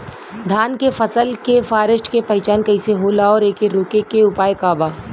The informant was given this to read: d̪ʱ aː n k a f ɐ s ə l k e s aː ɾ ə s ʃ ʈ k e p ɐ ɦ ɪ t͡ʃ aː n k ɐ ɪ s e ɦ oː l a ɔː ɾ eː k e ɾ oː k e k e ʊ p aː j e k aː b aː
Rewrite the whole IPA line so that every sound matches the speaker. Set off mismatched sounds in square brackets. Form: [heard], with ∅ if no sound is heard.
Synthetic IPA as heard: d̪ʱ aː n k [e] f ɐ s ə l k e [f] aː ɾ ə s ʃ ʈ k e p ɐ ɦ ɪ t͡ʃ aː n k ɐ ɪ s e ɦ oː l a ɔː ɾ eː k e ɾ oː k e k e ʊ p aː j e k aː b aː